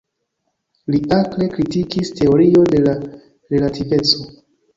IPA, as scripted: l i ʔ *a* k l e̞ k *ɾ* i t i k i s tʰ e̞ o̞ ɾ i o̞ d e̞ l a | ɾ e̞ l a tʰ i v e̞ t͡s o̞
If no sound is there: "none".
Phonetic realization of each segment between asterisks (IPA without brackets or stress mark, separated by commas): a, ɾ